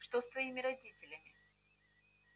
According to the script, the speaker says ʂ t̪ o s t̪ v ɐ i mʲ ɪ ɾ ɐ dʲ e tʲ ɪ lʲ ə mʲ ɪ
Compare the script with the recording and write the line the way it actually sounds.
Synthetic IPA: ʂ t̪ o s t̪ v ɐ i mʲ ɪ ɾ ɐ dʲ i tʲ ɪ lʲ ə mʲ ɪ